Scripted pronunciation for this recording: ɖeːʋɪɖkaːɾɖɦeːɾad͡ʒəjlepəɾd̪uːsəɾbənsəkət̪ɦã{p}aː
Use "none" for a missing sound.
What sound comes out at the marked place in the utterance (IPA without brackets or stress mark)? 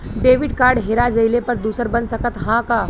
k